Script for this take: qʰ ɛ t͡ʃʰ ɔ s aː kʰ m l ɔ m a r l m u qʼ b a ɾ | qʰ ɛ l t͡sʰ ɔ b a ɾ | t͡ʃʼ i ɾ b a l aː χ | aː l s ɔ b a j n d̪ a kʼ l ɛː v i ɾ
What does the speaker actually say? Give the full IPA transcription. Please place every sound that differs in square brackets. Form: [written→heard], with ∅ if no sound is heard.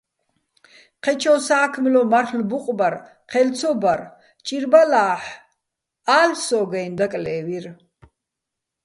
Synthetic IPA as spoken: qʰ ɛ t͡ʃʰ ɔ s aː kʰ m l ɔ m a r l [m→b] u qʼ b a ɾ | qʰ ɛ l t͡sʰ ɔ b a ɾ | t͡ʃʼ i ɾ b a l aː [χ→ħ] | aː l s ɔ [b→ɡ] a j n d̪ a kʼ l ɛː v i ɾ